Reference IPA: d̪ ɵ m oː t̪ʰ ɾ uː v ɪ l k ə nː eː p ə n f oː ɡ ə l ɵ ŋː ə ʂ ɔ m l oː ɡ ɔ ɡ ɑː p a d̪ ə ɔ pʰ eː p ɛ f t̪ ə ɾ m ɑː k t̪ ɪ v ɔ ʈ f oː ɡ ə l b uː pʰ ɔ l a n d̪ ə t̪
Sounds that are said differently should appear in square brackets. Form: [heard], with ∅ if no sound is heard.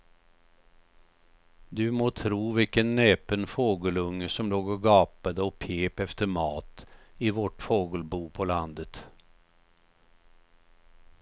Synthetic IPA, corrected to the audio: d̪ ɵ m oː t̪ʰ ɾ uː v ɪ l k ə nː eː p ə n f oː ɡ ə l ɵ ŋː ə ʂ ɔ m l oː ɡ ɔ ɡ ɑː p a d̪ ə ɔ pʰ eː p ɛ f t̪ ə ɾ m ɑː [∅] t̪ ɪ v ɔ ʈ f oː ɡ ə l b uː pʰ ɔ l a n d̪ ə t̪